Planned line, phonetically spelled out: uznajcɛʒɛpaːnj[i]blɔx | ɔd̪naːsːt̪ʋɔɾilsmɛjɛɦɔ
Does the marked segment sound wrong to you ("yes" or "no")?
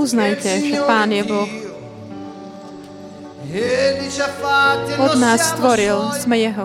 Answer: yes